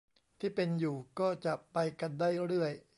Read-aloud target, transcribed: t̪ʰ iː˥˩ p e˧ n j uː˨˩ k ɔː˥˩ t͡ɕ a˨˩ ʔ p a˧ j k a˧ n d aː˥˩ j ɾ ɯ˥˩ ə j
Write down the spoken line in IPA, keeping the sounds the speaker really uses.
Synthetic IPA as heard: t̪ʰ iː˥˩ p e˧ n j uː˨˩ k ɔː˥˩ t͡ɕ a˨˩ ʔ p a˧ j k a˧ n d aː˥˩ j ɾ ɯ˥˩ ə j

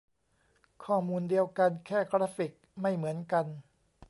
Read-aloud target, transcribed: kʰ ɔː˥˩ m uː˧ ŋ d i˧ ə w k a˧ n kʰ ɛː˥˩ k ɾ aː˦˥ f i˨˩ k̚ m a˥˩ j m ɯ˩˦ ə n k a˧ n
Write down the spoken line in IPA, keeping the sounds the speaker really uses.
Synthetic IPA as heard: kʰ ɔː˥˩ m uː˧ n d i˧ ə w k a˧ n kʰ ɛː˥˩ k ɾ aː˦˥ f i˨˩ k̚ m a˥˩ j m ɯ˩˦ ə n k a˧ n

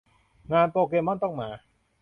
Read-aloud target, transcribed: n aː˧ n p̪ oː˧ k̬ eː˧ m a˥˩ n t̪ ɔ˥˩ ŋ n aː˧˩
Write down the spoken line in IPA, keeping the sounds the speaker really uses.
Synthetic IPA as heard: ŋ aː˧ n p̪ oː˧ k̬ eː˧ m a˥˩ n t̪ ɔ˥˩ ŋ m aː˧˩

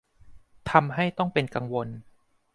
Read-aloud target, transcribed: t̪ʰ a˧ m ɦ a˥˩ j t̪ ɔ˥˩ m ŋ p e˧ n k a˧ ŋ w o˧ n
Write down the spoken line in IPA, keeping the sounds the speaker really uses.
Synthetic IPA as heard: t̪ʰ a˧ m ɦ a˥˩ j t̪ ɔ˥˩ ŋ p e˧ n k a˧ ŋ w o˧ n

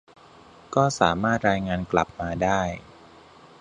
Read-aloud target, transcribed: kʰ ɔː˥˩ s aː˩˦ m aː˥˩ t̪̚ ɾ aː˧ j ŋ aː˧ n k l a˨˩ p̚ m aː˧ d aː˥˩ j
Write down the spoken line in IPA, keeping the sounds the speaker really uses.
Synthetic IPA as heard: k ɔː˥˩ s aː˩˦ m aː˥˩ t̪̚ ɾ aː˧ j ŋ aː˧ n k l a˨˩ p̚ m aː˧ d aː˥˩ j

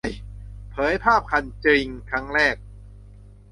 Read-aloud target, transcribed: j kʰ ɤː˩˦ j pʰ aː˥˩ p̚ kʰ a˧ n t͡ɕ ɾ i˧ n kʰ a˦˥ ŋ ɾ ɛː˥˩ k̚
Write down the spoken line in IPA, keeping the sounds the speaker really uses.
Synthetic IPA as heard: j pʰ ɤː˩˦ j pʰ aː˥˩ p̚ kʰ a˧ n t͡ɕ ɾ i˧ ŋ kʰ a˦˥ ŋ ɾ ɛː˥˩ k̚

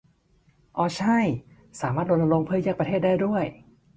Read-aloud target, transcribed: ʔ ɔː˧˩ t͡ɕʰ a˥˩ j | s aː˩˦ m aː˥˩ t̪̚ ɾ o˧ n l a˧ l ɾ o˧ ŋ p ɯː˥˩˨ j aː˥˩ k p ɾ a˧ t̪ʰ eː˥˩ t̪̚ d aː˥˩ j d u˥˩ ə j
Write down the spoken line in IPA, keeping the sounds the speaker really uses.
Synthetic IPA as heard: ʔ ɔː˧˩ t͡ɕʰ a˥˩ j | s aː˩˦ m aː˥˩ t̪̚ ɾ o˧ n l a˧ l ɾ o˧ ŋ pʰ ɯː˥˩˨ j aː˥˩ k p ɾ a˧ t̪ʰ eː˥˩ t̪̚ d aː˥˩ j d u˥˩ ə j

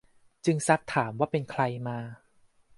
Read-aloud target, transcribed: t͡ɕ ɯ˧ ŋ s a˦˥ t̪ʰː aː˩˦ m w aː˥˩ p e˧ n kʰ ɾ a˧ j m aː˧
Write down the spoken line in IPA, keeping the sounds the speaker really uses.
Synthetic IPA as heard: t͡ɕ ɯ˧ ŋ s a˦˥ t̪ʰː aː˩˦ m w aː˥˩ p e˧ n kʰ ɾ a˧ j m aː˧

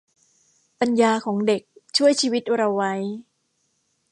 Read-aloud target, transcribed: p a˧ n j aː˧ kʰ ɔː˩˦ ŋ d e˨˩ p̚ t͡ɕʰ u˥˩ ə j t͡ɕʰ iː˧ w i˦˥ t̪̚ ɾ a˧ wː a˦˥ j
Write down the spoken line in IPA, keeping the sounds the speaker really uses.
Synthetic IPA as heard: p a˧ n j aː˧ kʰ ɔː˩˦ ŋ d e˨˩ k̚ t͡ɕʰ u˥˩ ə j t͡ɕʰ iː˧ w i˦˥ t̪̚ ɾ a˧ wː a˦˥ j

